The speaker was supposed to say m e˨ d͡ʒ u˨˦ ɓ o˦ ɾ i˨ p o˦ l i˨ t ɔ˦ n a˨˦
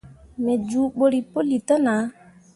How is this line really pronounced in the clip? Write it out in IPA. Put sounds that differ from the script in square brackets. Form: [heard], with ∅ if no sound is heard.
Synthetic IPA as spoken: m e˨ d͡ʒ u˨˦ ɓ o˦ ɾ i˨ p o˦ l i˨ t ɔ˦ n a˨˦